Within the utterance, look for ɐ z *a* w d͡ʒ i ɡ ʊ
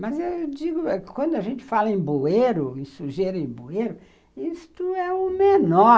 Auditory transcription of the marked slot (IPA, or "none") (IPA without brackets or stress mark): e